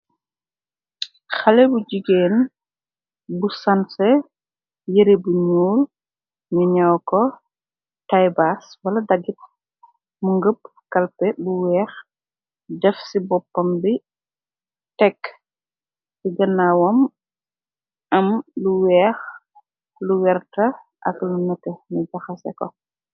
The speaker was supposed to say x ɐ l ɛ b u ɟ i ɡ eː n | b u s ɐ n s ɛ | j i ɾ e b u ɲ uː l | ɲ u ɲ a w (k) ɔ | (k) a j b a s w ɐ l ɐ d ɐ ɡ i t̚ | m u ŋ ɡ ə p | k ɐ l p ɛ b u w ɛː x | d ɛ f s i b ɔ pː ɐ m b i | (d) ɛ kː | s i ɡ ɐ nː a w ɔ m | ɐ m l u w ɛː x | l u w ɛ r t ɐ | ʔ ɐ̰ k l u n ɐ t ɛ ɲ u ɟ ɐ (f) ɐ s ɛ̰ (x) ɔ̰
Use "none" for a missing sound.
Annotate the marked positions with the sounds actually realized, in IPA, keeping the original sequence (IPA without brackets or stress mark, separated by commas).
k, t, t, x, k